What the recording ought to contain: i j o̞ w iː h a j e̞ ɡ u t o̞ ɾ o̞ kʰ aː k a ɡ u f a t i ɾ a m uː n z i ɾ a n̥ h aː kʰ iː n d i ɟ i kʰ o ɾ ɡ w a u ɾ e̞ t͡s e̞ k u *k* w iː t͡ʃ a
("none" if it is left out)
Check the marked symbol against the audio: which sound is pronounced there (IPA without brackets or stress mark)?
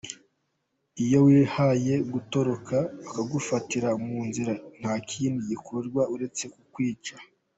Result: k